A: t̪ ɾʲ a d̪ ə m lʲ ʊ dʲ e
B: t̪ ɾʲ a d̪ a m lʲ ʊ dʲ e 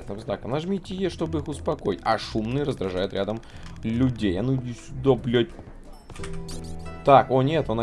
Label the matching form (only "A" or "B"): A